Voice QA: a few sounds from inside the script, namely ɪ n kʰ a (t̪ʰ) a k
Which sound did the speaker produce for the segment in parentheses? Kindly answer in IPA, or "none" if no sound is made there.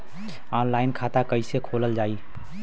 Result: t̪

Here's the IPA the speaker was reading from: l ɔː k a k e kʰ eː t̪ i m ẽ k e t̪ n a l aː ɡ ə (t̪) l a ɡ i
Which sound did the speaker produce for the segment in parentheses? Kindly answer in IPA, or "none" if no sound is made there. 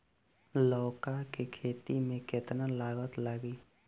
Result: t̪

